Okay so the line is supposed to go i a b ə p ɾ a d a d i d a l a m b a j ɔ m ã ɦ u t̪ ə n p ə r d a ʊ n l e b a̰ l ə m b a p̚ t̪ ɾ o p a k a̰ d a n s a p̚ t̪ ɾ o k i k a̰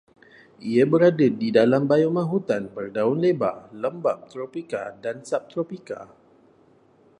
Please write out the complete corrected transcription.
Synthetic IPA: i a b ə ɾ a d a d i d a l a m b a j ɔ m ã ɦ u t̪ a n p ə r d a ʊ n l e b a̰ l ə m b a p̚ t̪ ɾ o p i k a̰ d a n s a p̚ t̪ ɾ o p i k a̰